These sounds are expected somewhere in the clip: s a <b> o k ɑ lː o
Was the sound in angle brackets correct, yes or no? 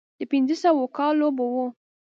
no